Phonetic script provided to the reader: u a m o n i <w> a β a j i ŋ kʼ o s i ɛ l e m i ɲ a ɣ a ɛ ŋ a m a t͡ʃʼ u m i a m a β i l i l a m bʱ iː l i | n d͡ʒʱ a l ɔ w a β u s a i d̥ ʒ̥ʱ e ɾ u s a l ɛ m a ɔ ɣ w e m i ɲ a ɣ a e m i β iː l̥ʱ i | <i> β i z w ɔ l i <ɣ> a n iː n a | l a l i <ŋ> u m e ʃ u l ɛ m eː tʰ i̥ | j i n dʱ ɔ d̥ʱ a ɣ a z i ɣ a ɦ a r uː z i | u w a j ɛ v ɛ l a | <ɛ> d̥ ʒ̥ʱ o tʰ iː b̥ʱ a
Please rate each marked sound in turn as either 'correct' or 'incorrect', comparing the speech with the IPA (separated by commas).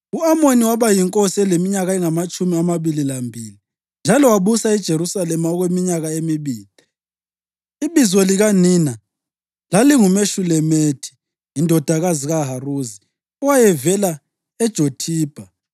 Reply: correct, correct, correct, correct, correct